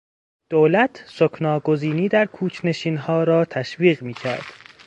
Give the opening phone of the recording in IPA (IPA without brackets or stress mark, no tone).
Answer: d̪̥